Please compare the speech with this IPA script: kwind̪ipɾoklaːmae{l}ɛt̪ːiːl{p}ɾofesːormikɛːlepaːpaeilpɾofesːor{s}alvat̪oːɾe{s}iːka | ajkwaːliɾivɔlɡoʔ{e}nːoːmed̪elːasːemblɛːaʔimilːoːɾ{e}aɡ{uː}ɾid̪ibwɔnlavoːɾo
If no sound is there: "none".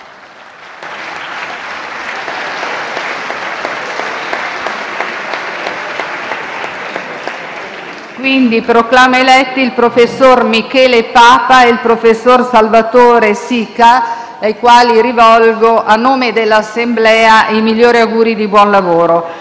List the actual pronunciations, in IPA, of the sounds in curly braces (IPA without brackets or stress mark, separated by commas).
l, p, s, s, a, i, uː